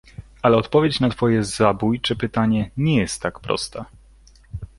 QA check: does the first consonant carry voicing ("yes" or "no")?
yes